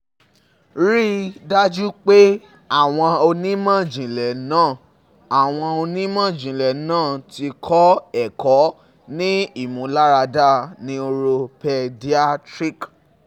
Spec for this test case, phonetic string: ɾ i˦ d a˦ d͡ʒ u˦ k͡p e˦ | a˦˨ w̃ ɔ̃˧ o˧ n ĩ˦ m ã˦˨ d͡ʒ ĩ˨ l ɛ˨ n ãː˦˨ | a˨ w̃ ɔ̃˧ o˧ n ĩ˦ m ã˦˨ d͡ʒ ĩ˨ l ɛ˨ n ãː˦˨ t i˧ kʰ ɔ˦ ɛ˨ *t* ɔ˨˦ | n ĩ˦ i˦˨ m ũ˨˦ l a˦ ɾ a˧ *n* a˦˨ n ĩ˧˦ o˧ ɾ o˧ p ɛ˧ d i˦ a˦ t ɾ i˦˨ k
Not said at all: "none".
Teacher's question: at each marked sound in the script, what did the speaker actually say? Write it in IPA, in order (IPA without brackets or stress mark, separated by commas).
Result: k, d